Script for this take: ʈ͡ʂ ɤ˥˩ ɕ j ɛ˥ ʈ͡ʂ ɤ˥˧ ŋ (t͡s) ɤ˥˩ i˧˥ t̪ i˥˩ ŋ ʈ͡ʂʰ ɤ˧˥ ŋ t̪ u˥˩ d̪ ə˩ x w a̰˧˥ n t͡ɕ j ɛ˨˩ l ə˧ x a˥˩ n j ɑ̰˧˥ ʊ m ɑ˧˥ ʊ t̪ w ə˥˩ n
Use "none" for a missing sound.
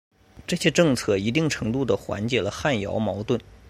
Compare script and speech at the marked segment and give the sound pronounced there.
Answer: t͡sʰ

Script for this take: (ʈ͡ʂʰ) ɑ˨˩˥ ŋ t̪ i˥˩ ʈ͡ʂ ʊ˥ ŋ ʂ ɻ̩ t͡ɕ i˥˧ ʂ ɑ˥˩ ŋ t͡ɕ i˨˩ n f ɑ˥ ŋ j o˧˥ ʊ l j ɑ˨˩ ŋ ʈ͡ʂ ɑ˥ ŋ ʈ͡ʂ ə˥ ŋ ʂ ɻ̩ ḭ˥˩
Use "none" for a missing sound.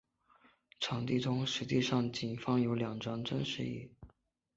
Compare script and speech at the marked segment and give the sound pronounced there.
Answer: ʈ͡ʂʰ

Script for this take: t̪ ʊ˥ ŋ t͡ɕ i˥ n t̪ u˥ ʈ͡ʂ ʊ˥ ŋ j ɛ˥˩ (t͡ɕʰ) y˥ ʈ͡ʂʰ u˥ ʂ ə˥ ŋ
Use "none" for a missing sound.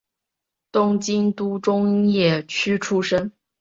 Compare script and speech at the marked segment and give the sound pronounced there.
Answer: t͡ɕʰ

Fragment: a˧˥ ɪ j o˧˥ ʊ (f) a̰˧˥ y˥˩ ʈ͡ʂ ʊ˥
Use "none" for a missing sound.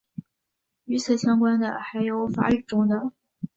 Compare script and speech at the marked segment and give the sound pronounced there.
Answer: f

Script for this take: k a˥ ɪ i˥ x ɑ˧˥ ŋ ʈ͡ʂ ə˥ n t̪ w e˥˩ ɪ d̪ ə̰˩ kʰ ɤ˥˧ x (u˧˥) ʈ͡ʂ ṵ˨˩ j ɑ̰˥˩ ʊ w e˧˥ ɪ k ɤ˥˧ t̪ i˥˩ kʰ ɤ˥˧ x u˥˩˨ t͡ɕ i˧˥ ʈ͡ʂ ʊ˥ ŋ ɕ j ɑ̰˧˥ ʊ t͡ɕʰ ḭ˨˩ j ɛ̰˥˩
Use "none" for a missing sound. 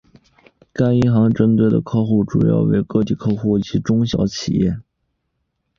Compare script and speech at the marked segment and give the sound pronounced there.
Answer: u˥˩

